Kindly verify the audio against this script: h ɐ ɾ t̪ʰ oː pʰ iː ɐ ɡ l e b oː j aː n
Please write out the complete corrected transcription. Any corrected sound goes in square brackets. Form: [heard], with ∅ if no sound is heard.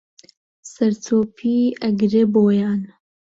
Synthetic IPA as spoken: [s] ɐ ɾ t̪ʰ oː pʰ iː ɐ ɡ [ɾ] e b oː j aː n